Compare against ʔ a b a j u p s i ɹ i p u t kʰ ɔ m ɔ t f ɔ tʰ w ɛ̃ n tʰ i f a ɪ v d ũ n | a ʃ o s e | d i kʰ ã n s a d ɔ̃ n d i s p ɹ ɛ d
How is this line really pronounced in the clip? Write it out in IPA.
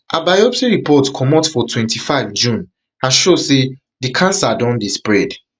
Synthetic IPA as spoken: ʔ a b a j ɔ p s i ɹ i p ɔ t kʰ ɔ m ɔ t f ɔ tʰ w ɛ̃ n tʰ i f a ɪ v d͡ʒ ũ n | a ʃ o s e | d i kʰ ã n s a d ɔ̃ n d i s p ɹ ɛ d

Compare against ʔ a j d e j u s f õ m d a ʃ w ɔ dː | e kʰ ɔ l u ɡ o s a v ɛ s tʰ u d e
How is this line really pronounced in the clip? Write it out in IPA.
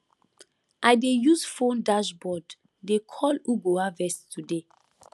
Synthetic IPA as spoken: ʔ a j d e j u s f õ n d a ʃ b ɔ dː | e kʰ ɔ l u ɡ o a v ɛ s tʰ u d e

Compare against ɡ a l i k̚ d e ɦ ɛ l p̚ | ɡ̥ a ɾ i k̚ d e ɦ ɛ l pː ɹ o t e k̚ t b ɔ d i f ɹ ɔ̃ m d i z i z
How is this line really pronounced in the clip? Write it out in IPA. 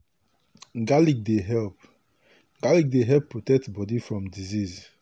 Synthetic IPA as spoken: ɡ a l i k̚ d e ɦ ɛ l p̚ | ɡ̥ a l i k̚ d e ɦ ɛ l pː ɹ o t ɛ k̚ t b ɔ d i f ɹ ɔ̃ m d i z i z

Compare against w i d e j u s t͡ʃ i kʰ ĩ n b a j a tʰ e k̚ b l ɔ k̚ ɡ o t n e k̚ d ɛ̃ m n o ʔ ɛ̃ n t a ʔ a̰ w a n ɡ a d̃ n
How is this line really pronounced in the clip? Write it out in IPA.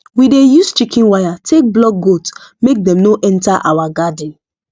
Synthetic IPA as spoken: w i d e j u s t͡ʃ i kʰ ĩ n w a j a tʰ e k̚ b l ɔ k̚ ɡ o t m e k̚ d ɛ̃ m n o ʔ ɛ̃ n t a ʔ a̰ w a ɡ a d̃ n

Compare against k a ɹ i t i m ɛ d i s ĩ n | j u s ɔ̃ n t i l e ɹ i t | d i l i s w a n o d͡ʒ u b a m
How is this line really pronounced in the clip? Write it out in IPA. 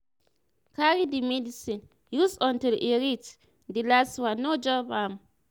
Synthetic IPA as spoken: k a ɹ i d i m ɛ d i s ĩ n | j u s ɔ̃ n t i l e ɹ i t | d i l a s w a n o d͡ʒ ɔ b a m

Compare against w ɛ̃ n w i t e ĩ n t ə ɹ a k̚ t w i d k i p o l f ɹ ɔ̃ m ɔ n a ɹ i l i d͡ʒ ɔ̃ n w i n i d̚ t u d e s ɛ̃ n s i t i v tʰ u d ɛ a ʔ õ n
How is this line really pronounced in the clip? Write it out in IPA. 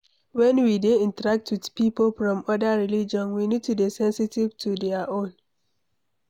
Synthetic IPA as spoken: w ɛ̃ n w i d e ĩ n t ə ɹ a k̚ t w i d p i p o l f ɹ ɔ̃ m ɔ d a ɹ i l i d͡ʒ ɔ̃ n w i n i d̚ t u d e s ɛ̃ n s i t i v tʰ u d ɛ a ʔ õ n

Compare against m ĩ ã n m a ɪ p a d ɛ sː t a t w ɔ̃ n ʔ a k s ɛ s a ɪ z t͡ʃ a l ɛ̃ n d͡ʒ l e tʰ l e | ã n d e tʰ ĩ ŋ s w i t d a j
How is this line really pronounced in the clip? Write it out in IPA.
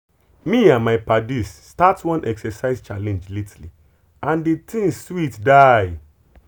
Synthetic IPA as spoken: m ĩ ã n m a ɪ p a d i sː t a t w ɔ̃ n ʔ ɛ k s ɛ s a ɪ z t͡ʃ a l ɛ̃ n d͡ʒ l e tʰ l i | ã n d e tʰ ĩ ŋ s w i t d a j

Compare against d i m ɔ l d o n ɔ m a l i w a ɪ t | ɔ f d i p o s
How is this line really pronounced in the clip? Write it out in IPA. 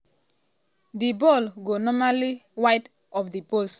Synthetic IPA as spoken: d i b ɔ l ɡ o n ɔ m a l i w a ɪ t | ɔ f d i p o s

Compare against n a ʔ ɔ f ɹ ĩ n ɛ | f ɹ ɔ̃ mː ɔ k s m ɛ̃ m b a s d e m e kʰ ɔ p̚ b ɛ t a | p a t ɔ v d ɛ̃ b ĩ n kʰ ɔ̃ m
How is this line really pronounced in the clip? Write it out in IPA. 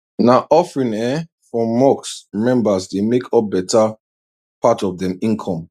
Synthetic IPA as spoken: n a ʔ ɔ f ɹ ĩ n ɛ | f ɹ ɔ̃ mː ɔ k s m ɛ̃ m b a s d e m e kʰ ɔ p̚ b ɛ t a | p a t ɔ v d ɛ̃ m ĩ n kʰ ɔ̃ m

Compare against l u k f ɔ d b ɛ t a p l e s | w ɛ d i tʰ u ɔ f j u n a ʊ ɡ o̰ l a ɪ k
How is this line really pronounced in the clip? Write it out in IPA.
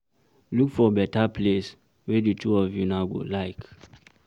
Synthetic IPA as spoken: l u k f ɔ b ɛ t a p l e s | w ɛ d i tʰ u ɔ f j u n a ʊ ɡ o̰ l a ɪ k

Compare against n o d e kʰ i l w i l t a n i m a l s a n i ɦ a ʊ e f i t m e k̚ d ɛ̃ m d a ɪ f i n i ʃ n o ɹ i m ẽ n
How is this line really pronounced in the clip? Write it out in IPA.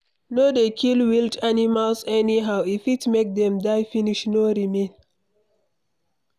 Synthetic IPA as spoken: n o d e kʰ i l w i l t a n i m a l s ɛ n i ɦ a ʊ i f i t m e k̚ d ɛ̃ m d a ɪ f i n i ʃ n o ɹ i m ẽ n

